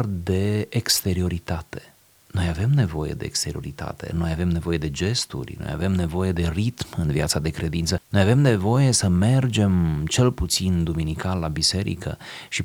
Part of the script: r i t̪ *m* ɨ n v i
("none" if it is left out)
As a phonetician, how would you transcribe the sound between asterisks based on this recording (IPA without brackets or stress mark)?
m